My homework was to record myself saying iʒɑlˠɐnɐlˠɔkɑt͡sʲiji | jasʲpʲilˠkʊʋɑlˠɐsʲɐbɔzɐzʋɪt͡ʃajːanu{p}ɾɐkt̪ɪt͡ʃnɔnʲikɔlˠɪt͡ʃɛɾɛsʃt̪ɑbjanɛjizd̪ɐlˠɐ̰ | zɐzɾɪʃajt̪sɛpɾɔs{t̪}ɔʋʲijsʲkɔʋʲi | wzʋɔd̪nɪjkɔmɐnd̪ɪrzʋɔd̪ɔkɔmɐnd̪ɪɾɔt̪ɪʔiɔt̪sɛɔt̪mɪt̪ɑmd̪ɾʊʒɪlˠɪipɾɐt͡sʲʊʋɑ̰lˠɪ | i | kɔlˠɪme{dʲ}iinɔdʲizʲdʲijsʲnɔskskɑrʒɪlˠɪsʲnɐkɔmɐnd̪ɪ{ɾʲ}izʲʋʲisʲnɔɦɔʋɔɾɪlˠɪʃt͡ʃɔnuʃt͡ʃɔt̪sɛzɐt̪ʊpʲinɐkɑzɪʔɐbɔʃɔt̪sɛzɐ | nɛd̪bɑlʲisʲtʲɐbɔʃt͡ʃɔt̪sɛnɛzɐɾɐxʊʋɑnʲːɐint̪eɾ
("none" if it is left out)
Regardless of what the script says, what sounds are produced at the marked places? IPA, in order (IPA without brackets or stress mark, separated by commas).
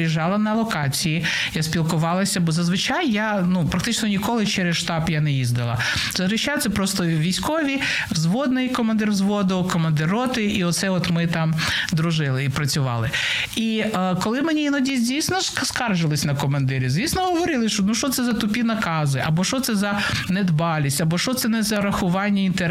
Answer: p, t̪, nʲ, ɾʲ